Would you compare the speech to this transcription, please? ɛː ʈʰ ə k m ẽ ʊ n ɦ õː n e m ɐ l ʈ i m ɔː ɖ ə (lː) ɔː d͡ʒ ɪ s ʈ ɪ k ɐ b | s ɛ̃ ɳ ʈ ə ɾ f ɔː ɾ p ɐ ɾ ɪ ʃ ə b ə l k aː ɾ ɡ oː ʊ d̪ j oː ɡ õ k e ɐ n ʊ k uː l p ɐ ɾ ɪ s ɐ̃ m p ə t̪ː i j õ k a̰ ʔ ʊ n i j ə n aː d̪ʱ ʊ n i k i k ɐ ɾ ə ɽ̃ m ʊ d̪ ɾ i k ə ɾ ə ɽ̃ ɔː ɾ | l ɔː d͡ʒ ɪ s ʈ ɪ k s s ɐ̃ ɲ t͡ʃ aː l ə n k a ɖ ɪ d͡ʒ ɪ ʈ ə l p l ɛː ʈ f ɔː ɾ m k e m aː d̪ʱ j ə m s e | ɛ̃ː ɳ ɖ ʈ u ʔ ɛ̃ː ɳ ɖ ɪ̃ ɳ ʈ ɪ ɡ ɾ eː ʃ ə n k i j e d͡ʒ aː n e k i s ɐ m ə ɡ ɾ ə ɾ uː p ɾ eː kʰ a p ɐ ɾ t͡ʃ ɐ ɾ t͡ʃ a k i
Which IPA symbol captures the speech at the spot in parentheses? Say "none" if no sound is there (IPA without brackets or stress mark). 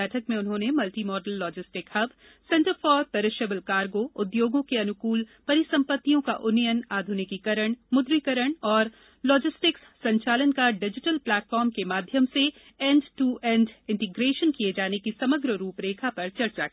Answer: lː